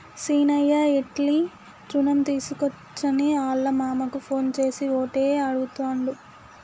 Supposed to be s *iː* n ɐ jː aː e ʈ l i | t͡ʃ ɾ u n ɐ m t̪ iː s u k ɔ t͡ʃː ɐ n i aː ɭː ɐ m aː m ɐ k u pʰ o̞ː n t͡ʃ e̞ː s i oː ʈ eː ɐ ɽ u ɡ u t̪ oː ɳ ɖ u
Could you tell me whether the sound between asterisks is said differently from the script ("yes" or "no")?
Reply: no